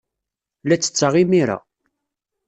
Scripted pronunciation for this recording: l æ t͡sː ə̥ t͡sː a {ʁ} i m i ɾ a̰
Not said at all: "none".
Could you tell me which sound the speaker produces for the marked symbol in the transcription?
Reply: ʁ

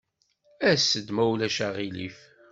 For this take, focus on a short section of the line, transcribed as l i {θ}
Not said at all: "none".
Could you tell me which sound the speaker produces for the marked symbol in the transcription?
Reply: f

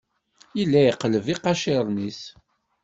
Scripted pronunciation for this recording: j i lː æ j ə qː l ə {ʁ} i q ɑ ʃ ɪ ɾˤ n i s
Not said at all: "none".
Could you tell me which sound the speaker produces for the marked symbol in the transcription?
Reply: v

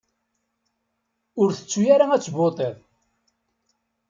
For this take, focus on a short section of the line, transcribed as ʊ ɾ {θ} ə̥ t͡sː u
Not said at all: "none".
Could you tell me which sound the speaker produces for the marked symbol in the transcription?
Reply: θ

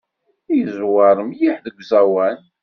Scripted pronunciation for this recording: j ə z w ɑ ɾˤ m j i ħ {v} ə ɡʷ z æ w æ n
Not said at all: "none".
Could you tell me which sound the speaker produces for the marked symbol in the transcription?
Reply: ð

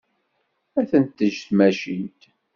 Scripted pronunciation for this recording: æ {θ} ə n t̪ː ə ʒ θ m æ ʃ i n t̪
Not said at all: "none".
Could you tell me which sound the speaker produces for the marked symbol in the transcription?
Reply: θ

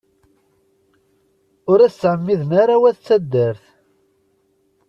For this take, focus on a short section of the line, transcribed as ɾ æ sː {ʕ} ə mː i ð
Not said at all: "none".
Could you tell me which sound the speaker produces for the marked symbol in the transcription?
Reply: ʕ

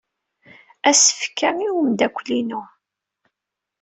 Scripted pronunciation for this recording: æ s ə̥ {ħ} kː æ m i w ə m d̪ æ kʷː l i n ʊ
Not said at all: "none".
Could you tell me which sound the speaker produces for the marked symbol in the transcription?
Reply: f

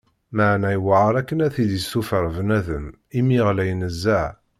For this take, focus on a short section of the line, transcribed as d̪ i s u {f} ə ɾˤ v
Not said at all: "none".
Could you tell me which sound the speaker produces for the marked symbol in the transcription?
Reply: f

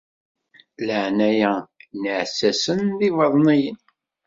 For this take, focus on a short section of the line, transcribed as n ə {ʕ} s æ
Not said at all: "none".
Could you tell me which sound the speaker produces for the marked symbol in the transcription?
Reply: ʕ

